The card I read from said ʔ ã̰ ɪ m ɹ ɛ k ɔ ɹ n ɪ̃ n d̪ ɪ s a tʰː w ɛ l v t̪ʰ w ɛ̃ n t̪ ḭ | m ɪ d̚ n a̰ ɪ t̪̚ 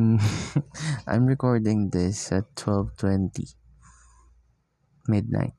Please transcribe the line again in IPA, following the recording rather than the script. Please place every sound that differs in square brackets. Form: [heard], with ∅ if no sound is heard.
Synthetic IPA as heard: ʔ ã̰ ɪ m ɹ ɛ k ɔ ɹ [d] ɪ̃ [ŋ] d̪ ɪ s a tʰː w ɛ l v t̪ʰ w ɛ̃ n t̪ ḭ | m ɪ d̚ n a̰ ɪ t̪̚